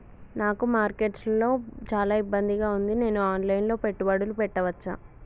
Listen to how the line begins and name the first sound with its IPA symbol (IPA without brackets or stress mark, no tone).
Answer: n